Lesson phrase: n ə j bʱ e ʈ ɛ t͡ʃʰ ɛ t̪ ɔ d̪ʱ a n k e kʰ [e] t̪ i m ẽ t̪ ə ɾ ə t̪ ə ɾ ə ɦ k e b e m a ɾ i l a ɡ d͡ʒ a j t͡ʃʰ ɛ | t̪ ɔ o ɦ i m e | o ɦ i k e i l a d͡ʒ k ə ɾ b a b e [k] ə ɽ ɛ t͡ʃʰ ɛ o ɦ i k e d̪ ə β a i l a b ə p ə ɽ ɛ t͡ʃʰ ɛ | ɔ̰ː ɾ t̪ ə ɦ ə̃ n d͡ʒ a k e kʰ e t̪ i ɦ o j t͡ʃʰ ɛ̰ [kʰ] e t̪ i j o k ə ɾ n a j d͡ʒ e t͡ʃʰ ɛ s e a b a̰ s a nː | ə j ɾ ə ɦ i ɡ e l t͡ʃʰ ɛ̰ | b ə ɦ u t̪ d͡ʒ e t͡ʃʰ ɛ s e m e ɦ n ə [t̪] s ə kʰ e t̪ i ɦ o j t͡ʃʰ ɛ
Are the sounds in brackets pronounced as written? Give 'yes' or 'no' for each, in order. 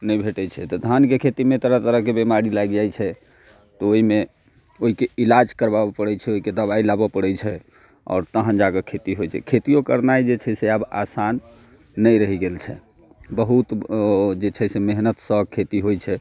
yes, no, yes, yes

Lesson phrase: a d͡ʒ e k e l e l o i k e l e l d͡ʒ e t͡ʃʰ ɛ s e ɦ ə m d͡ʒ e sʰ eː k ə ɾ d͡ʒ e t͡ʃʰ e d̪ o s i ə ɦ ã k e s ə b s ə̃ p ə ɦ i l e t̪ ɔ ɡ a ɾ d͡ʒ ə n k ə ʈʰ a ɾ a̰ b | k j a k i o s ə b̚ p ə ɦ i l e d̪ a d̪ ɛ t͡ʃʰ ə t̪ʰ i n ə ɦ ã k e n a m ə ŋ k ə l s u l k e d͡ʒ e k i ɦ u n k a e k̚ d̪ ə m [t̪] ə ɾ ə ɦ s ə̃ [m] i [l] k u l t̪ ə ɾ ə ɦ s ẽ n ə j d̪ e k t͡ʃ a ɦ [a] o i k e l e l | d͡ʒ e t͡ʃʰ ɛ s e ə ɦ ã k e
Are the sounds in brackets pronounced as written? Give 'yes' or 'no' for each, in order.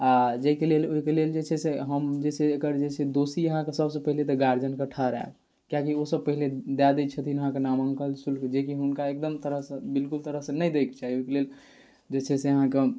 yes, no, yes, no

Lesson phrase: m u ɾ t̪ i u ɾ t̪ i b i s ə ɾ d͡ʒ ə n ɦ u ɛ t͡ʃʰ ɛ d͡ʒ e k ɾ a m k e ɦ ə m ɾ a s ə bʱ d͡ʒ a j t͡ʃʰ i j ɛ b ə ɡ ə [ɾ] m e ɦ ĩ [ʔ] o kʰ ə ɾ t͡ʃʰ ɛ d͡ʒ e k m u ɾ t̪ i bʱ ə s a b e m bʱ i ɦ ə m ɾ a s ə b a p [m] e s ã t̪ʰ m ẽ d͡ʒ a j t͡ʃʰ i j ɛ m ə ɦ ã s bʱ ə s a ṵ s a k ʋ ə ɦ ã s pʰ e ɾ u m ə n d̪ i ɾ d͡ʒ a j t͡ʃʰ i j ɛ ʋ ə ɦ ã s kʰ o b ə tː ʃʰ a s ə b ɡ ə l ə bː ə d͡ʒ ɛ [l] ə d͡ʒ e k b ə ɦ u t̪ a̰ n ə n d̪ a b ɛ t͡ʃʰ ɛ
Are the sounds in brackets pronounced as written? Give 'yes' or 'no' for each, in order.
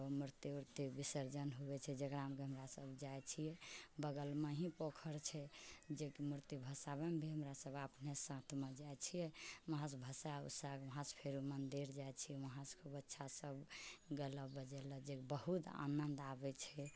no, no, no, yes

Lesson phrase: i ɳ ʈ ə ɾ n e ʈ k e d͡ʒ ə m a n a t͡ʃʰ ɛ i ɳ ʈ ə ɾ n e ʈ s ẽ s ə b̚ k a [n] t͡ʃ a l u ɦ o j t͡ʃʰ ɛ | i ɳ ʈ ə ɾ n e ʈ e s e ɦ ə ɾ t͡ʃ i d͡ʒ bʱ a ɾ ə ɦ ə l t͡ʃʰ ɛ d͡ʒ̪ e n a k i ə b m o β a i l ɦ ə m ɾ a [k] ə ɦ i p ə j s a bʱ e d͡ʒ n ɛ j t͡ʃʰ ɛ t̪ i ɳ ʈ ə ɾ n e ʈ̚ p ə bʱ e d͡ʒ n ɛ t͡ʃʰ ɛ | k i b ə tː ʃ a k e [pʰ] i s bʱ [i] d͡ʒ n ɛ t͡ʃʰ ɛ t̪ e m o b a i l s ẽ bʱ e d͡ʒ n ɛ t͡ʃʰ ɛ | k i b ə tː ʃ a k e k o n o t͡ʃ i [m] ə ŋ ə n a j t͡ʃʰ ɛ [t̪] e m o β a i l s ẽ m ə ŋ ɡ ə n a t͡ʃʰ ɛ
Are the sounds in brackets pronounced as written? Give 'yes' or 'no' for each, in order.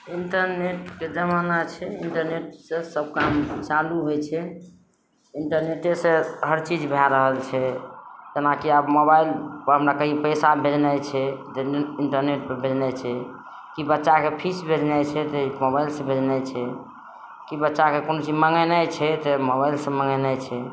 no, yes, yes, no, yes, yes

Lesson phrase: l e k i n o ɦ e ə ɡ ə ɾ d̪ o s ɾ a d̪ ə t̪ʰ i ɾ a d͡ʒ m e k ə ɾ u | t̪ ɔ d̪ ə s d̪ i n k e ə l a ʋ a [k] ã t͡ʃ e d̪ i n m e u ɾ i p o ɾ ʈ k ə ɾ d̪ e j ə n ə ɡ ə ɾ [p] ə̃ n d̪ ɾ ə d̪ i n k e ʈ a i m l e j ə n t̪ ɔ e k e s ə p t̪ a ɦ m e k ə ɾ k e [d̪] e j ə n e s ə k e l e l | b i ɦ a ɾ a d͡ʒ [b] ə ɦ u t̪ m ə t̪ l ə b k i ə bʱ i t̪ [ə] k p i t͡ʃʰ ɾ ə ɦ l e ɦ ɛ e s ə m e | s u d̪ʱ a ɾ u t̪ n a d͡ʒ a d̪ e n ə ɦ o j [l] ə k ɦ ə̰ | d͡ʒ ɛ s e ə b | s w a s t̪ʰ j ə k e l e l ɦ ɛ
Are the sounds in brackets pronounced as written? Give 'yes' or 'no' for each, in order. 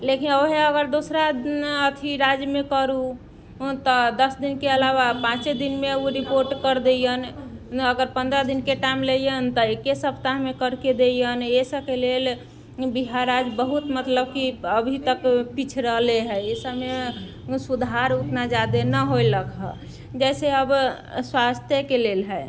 no, yes, yes, yes, yes, yes

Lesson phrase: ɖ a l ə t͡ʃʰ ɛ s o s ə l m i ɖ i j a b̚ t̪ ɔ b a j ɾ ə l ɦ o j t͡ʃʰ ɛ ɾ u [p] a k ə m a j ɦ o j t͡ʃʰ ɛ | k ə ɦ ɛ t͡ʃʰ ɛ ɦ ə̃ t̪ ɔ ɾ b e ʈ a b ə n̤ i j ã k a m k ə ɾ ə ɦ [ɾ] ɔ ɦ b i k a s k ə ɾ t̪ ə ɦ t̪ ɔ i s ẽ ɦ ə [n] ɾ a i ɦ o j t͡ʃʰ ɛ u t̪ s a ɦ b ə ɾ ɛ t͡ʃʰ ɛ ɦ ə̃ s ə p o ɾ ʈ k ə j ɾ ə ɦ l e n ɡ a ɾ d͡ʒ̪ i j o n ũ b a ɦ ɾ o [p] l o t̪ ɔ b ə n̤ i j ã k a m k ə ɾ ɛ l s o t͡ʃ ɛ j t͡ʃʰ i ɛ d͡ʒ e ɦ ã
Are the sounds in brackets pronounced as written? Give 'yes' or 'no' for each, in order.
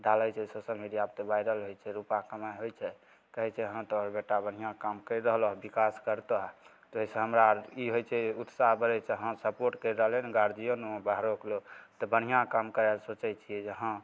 yes, no, no, no

